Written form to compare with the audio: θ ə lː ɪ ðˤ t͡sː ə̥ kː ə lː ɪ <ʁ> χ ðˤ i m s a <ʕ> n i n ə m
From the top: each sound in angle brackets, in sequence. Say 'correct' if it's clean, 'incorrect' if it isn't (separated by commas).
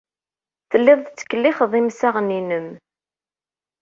incorrect, incorrect